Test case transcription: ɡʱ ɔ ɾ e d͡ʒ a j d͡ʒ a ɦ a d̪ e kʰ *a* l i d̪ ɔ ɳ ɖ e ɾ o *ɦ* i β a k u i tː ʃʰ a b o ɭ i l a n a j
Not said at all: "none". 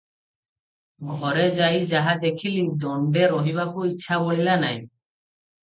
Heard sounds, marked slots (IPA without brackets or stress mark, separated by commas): i, ɦ